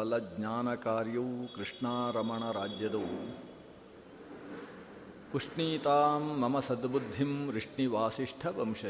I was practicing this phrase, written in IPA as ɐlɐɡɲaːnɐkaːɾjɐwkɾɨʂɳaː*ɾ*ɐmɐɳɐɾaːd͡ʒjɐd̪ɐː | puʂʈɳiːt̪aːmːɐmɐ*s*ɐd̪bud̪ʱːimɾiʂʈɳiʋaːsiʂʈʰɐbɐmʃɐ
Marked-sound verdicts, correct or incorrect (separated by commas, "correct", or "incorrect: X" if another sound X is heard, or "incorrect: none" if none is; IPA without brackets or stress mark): correct, correct